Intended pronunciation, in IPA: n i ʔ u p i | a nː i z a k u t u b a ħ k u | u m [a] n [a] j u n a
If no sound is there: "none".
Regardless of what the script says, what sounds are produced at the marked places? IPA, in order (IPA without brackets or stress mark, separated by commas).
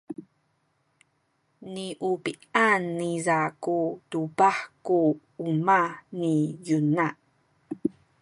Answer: a, i